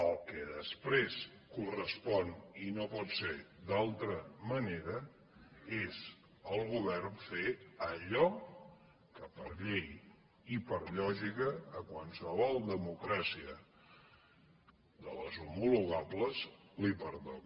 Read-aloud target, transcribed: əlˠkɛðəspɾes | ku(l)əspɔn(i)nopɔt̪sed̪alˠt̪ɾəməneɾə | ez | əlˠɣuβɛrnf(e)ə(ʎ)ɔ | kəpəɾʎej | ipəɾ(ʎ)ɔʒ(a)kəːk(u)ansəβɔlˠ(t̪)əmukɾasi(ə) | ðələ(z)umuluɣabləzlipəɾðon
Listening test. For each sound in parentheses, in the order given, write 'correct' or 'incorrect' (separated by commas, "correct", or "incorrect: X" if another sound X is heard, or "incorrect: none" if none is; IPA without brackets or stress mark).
incorrect: r, correct, correct, correct, correct, incorrect: i, incorrect: w, incorrect: d̪, correct, correct